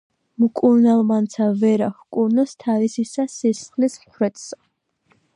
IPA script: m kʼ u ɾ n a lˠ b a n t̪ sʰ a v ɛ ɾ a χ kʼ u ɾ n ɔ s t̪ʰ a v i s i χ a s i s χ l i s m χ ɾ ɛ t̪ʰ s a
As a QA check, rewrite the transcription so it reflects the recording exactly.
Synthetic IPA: m kʼ u ɾ n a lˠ m a n t̪ sʰ a v ɛ ɾ a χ kʼ u ɾ n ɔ s t̪ʰ a v i s i s a s i s χ l i s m χ ɾ ɛ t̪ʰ s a